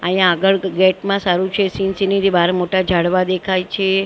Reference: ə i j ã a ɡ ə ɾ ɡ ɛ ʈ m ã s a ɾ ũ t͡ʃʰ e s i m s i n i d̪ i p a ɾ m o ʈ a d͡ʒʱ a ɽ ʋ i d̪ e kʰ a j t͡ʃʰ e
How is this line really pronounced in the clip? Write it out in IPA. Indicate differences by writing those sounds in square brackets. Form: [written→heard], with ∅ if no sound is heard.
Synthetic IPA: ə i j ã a ɡ ə [ɾ→ɭ] ɡ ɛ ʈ m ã s a ɾ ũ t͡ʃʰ e s i [m→n] s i n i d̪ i [p→b] a ɾ m o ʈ a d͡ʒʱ a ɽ ʋ [i→a] d̪ e kʰ a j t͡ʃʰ e

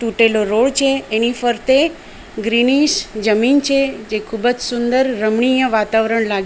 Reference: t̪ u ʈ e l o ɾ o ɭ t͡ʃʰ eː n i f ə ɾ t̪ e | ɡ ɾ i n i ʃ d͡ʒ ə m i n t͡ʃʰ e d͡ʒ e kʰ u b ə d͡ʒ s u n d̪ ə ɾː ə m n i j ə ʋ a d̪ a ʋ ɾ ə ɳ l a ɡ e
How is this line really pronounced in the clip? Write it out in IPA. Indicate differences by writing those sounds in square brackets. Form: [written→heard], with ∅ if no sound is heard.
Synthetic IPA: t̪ u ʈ e l o ɾ o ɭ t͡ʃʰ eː n i f ə ɾ t̪ e | ɡ ɾ i n i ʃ d͡ʒ ə m i n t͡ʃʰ e d͡ʒ e kʰ u b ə d͡ʒ s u n d̪ ə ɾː ə m [n→ɳ] i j ə ʋ a [d̪→t̪] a ʋ ɾ ə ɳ l a ɡ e

